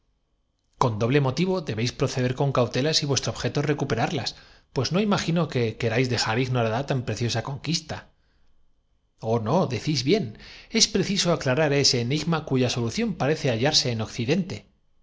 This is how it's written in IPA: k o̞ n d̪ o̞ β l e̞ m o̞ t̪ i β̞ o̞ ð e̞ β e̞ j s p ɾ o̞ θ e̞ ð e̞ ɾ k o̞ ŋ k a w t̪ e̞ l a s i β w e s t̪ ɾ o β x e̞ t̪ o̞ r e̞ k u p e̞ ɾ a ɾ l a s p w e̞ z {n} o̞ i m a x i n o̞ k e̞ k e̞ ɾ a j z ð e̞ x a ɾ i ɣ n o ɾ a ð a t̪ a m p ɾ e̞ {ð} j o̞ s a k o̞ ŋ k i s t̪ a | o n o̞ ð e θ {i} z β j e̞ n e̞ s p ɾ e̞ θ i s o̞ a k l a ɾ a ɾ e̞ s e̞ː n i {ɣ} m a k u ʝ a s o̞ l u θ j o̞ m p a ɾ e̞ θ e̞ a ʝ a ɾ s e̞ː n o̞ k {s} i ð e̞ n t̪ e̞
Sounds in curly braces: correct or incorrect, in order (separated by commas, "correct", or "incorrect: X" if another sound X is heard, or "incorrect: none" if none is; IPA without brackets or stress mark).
correct, incorrect: θ, correct, correct, incorrect: θ